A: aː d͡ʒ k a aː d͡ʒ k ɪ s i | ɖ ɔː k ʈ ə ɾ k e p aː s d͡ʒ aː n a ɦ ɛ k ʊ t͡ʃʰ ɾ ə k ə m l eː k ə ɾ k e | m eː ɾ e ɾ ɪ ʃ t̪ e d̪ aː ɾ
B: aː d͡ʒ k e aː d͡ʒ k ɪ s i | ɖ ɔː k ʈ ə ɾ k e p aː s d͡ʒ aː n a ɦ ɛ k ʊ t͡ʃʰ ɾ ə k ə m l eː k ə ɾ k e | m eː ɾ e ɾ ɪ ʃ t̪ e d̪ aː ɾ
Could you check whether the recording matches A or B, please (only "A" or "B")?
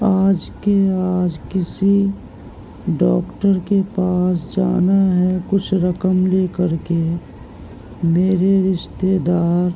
B